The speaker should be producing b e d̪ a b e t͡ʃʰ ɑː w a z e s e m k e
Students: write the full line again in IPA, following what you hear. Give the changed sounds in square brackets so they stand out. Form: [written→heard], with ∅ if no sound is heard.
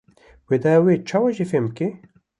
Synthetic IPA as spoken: [b→w] e d̪ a [b→w] e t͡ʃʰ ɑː w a [z→ʒ] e [s→f] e m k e